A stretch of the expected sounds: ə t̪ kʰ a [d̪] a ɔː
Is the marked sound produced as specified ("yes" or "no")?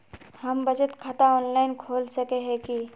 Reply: no